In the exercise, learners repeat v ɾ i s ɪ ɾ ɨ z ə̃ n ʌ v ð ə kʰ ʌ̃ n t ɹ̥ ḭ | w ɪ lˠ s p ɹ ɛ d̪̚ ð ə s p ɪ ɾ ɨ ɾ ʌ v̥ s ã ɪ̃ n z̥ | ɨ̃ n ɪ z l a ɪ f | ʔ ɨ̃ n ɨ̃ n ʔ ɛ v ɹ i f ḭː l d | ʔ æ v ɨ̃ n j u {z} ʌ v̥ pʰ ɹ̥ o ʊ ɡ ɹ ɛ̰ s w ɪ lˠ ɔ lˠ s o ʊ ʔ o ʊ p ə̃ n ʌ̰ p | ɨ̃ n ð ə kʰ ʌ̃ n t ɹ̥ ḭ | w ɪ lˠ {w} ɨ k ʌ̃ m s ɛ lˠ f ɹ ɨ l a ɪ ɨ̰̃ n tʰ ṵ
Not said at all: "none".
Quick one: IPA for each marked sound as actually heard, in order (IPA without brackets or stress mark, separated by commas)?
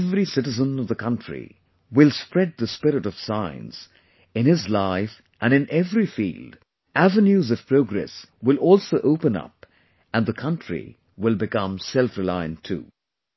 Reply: z, b